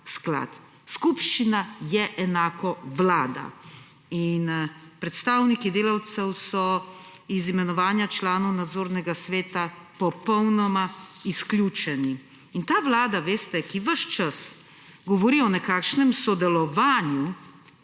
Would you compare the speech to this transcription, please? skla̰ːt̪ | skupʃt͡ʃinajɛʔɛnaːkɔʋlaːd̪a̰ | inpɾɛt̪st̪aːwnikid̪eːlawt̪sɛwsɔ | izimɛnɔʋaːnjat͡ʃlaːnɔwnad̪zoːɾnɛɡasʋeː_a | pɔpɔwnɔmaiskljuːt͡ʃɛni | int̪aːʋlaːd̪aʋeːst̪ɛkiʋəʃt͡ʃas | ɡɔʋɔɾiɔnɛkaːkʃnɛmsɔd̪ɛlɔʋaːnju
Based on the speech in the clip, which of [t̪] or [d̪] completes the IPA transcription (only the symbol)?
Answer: t̪